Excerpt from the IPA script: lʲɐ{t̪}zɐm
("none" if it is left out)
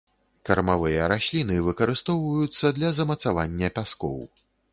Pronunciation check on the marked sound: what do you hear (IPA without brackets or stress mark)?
none